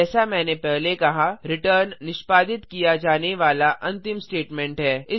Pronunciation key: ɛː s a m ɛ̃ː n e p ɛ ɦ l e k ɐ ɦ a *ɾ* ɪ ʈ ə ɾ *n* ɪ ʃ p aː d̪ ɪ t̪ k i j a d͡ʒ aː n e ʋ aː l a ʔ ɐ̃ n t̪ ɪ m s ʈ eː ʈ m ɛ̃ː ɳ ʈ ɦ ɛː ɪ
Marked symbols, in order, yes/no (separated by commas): yes, no